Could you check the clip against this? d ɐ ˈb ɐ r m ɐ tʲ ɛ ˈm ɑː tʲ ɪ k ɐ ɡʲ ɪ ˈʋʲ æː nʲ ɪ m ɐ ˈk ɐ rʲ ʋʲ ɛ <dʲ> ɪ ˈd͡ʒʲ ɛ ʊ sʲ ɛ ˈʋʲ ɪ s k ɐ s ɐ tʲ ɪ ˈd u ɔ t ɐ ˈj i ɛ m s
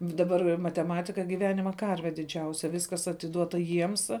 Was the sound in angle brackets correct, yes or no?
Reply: yes